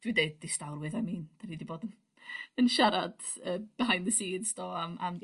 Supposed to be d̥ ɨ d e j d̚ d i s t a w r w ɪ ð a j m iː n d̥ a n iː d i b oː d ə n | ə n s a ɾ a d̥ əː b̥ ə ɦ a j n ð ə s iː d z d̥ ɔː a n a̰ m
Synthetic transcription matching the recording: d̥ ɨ d e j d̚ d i s t a w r w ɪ ð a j m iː n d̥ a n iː d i b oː d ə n | ə n ʃ a ɾ a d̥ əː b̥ ə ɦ a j n ð ə s iː d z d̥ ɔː a m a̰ m